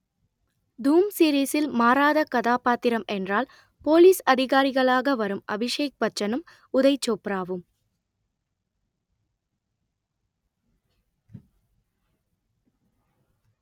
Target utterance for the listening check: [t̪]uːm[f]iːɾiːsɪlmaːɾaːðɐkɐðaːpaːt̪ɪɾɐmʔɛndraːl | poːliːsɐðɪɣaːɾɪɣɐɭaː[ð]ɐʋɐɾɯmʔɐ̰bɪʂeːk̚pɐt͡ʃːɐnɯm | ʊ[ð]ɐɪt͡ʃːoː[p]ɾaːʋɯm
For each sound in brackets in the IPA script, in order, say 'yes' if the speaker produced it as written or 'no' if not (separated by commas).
no, no, no, yes, yes